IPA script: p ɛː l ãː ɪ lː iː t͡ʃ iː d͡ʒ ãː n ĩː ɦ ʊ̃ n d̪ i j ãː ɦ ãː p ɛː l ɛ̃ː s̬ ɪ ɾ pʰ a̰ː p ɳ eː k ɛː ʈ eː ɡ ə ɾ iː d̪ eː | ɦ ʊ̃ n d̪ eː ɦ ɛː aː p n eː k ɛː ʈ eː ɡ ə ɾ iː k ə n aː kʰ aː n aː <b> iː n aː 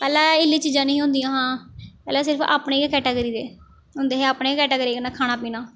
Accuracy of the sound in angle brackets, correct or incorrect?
incorrect